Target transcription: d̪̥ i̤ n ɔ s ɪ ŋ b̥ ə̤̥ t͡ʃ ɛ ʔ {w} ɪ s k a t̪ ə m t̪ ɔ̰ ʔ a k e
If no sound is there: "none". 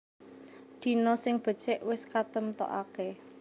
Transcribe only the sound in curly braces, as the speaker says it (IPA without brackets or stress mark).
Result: w